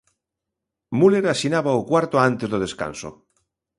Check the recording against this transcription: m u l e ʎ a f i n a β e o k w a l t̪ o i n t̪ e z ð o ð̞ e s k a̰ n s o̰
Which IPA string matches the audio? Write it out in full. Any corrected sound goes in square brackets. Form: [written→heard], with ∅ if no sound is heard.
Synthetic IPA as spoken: m u l e [ʎ→ɾ] a [f→s] i n a β [e→a] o k w a [l→ɾ] t̪ o [i→a] n t̪ e z ð o ð̞ e s k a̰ n s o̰